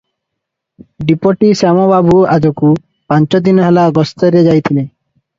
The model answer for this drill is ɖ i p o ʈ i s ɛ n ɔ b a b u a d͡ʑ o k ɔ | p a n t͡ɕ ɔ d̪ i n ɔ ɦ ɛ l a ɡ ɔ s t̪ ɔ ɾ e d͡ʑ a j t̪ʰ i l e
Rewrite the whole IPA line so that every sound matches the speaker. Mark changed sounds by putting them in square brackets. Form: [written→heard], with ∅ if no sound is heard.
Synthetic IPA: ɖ i p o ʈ i s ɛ [n→m] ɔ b a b u a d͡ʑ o k [ɔ→u] | p a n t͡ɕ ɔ d̪ i n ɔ ɦ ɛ l a ɡ ɔ s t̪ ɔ ɾ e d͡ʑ a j t̪ʰ i l e